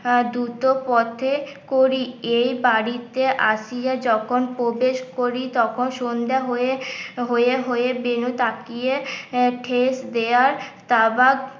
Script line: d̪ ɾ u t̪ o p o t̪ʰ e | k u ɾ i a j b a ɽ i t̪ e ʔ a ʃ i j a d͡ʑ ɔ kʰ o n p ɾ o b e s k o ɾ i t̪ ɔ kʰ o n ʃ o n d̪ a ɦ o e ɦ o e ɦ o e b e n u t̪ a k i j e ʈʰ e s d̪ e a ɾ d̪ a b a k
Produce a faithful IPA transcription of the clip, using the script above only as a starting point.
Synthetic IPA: d̪ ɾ u t̪ o p ɔ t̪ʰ e | k o ɾ i e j b a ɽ i t̪ e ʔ a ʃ i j a d͡ʑ ɔ kʰ o n p ɾ o b e ʃ k o ɾ i t̪ ɔ kʰ o n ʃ o n d̪ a ɦ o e ɦ o e ɦ o e b e n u t̪ a k i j e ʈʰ e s d̪ e a ɾ t̪ a b a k